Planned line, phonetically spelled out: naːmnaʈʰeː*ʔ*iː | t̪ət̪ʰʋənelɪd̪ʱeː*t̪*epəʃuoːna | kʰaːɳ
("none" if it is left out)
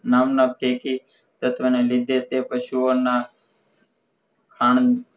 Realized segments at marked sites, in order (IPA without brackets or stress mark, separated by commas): k, t̪